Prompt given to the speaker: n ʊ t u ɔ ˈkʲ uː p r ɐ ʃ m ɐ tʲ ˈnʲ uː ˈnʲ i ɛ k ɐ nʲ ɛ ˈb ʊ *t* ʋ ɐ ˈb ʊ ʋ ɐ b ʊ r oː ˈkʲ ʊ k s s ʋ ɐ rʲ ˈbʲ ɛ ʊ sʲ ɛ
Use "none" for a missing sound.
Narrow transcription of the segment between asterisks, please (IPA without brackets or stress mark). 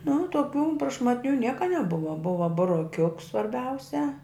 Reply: none